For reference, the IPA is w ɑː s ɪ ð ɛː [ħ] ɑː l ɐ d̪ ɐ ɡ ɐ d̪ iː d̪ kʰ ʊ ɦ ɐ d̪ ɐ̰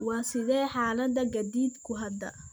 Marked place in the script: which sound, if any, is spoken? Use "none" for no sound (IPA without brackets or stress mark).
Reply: ħ